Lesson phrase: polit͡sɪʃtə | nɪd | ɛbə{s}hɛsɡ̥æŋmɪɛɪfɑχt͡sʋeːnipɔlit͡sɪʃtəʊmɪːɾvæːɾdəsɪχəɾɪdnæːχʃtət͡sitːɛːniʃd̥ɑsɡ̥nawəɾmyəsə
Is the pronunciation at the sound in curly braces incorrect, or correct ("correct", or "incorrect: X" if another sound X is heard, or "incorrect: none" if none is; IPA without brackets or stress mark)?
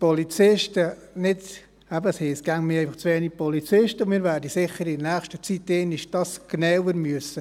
correct